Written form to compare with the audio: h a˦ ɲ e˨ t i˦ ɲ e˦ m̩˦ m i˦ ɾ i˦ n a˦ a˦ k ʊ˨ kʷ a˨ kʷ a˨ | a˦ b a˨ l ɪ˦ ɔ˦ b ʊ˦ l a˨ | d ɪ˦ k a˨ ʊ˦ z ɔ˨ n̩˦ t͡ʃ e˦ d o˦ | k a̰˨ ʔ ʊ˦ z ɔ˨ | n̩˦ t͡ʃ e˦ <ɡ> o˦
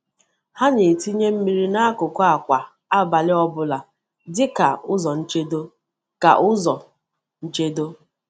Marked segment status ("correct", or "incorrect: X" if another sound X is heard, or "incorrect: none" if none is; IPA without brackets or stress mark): incorrect: d